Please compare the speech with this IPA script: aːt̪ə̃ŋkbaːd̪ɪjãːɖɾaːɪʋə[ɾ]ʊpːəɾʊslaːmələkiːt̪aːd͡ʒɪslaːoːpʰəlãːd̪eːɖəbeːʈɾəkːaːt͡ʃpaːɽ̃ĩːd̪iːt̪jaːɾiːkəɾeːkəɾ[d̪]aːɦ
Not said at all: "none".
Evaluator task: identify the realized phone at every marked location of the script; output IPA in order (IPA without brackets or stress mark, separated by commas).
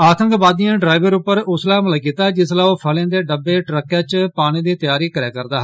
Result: ɾ, d̪